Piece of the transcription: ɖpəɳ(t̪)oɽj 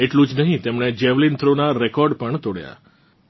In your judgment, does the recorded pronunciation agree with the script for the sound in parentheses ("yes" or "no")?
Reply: yes